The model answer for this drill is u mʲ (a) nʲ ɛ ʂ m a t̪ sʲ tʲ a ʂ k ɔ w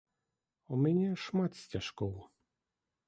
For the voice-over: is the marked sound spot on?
no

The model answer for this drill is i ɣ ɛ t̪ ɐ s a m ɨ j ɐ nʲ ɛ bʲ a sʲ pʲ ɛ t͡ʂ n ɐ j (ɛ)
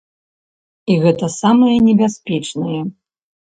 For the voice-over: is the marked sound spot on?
yes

